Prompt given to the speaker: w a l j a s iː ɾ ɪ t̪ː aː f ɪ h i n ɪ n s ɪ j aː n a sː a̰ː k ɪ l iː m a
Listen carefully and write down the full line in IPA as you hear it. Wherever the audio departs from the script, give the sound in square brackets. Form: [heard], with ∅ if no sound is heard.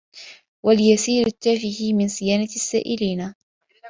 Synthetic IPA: w a l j a s iː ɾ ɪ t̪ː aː f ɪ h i [m] ɪ n s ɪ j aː n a sː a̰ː [ʔ] ɪ l iː [n] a